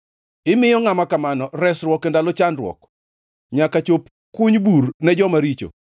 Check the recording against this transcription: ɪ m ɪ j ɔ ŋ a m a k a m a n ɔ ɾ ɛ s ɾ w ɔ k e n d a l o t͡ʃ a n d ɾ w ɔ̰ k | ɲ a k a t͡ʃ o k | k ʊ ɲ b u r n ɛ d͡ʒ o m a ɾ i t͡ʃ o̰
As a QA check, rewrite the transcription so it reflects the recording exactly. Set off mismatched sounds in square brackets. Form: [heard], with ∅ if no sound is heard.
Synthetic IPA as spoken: ɪ m ɪ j ɔ ŋ a m a k a m a n ɔ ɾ ɛ s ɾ w ɔ k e n d a l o t͡ʃ a n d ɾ w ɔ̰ k | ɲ a k a t͡ʃ o [p] | k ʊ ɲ b u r n ɛ d͡ʒ [ɔ] m a ɾ i t͡ʃ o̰